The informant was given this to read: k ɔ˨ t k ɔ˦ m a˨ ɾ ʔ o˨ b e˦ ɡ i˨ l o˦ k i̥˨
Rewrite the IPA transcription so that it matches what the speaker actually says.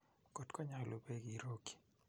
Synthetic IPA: k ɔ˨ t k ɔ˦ ɲ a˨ l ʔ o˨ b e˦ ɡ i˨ ɾ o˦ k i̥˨